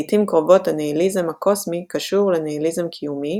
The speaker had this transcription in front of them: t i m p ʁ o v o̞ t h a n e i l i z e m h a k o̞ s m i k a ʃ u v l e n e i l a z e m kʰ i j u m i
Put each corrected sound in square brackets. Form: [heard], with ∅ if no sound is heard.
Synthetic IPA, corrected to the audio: t i m [k] ʁ o v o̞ t h a n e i l i z e m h a k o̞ s m i k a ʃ u [ʁ] l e n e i l [i] z e m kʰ i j u m i